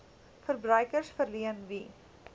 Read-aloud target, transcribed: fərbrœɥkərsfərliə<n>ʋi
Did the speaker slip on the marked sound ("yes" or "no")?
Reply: no